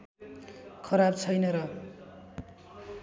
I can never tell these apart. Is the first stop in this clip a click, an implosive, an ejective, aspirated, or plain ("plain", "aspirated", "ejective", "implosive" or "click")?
aspirated